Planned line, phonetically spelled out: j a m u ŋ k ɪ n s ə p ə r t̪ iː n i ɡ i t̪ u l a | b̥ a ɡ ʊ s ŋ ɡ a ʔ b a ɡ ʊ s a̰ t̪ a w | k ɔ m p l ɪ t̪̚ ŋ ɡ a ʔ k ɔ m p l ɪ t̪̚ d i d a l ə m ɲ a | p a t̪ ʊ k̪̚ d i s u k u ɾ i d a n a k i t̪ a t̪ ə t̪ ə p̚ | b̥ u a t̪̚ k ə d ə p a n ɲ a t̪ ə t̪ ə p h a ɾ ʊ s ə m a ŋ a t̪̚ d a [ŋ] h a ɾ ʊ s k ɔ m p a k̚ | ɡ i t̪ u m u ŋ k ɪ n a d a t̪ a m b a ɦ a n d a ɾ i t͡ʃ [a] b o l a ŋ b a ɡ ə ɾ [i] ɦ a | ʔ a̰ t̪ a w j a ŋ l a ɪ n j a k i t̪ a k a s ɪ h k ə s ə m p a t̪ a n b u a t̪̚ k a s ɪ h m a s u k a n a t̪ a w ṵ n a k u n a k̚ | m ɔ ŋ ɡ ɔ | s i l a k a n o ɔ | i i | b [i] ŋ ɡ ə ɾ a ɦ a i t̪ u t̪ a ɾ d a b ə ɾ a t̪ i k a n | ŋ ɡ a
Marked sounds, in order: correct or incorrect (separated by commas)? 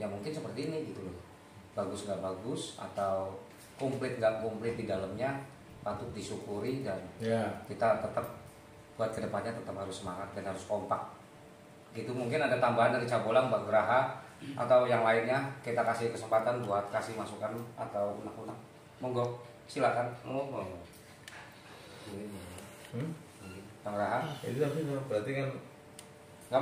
incorrect, correct, incorrect, incorrect